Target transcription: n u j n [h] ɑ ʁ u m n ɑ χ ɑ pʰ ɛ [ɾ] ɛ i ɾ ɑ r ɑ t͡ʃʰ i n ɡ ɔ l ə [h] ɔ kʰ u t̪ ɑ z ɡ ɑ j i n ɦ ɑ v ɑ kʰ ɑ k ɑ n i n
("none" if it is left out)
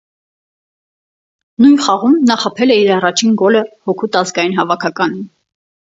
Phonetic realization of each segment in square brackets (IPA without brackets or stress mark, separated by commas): χ, l, h